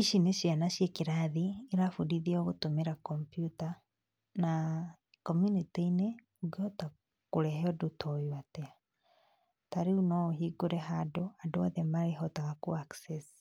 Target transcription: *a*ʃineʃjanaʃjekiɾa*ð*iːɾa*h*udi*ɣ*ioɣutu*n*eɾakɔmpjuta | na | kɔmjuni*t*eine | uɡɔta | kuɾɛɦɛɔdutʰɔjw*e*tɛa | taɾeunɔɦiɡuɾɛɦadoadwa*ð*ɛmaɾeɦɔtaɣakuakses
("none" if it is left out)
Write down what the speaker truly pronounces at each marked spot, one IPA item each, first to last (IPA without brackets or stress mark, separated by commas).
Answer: i, ð, f, ð, m, t, a, ð